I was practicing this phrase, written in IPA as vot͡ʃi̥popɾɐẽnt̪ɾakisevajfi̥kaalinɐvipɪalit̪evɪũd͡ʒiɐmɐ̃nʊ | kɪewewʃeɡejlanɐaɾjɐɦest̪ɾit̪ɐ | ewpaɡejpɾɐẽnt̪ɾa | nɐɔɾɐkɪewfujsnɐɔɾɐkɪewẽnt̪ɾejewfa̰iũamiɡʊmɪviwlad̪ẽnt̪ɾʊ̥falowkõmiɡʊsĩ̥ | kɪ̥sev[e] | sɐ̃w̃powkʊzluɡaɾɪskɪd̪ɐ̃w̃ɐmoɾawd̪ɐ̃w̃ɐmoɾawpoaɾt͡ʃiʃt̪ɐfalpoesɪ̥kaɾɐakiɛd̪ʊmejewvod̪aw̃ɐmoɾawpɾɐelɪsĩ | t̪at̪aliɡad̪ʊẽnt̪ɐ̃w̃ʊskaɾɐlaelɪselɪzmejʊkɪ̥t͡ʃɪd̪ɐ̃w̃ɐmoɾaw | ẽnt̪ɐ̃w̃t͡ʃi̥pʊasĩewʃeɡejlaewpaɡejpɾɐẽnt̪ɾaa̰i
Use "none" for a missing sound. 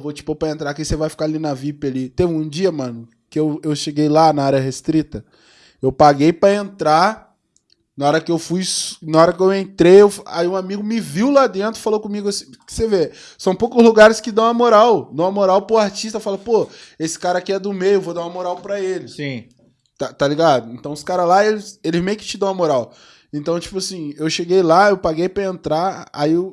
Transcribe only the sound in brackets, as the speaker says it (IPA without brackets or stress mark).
e